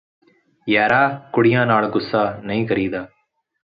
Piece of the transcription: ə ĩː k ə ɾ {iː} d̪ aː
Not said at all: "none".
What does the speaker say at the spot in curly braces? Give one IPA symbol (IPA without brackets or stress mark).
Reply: iː